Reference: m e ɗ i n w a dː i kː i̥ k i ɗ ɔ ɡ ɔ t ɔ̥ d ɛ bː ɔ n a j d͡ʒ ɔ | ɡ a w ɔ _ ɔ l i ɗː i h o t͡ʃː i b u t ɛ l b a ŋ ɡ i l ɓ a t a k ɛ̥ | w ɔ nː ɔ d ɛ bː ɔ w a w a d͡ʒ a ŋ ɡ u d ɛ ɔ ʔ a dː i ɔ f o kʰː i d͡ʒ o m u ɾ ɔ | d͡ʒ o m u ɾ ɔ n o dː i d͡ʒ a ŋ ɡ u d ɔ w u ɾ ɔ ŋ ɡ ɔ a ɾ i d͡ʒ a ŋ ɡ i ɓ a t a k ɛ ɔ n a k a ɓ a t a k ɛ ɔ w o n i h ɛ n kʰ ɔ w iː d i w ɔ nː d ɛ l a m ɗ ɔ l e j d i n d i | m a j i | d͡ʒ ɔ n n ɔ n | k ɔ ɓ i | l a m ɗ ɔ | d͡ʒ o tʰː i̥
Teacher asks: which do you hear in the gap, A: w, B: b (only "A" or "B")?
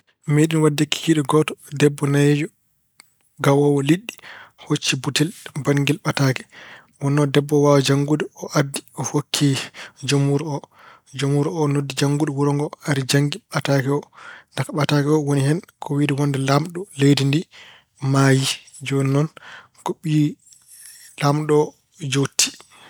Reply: A